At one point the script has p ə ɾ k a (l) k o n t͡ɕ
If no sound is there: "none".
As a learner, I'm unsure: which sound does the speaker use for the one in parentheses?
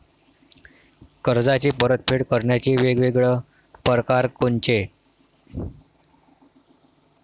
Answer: ɾ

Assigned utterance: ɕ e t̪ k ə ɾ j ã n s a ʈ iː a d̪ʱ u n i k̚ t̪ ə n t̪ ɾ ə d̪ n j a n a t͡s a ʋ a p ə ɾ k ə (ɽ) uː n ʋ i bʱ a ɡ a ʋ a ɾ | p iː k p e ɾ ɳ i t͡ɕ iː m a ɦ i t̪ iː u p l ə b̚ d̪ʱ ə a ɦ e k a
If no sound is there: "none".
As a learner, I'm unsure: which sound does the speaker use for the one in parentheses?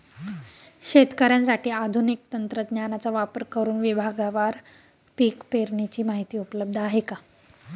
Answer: ɾ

